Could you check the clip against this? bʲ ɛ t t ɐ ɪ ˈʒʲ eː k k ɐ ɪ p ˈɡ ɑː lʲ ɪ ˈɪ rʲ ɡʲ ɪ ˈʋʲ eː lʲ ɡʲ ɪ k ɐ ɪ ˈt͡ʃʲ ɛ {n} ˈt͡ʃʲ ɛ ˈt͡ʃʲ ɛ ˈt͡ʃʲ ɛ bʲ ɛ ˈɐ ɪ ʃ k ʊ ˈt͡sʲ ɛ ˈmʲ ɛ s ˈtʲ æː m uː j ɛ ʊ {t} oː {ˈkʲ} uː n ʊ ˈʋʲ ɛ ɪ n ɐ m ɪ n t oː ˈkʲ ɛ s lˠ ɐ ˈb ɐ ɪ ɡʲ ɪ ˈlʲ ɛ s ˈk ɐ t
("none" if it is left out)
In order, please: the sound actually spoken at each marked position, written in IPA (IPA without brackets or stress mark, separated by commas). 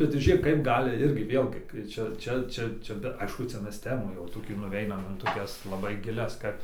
none, t, kʲ